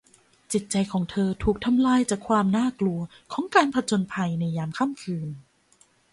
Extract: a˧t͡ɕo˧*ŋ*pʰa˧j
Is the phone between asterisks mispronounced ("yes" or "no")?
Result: yes